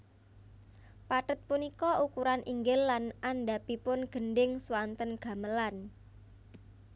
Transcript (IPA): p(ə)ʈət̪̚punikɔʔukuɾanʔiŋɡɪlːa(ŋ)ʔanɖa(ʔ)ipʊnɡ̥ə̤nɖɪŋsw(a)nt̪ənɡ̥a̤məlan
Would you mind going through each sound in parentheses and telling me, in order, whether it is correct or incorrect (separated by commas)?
incorrect, incorrect, incorrect, correct